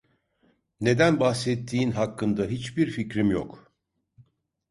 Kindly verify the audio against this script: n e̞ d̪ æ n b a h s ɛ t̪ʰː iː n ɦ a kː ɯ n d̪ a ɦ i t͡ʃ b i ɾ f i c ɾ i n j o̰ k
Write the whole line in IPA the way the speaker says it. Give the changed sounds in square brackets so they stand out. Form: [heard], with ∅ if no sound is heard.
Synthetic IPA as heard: n e̞ d̪ æ n b a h s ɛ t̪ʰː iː n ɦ a kː ɯ n d̪ a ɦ i t͡ʃ b i ɾ f i c ɾ i [m] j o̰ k